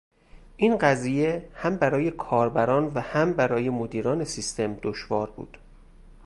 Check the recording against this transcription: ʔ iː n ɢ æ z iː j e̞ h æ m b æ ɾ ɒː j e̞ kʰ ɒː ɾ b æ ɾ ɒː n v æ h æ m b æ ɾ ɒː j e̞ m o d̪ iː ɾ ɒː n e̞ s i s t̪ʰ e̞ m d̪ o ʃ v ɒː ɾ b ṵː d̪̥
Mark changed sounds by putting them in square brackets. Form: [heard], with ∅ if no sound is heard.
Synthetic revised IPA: ʔ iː n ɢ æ z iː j e̞ h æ m b æ ɾ ɒː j e̞ kʰ ɒː ɾ b æ ɾ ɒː n v æ h æ m b æ ɾ ɒː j e̞ m o d̪ iː ɾ ɒː n e̞ s i s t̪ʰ e̞ m d̪ o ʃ v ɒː ɾ b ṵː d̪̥